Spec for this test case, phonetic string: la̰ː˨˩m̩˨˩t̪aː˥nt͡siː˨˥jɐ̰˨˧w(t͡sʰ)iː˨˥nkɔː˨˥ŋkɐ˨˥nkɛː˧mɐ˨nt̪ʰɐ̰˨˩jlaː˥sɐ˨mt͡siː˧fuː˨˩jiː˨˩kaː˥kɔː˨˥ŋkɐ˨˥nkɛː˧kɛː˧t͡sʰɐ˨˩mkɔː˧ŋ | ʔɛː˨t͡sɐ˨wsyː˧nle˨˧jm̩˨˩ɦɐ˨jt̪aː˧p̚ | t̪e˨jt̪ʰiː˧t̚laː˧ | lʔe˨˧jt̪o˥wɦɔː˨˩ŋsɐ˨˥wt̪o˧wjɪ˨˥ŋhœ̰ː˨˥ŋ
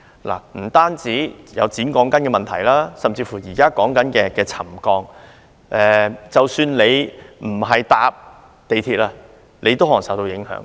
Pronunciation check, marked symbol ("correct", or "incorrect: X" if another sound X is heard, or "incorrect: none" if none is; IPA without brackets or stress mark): incorrect: t͡s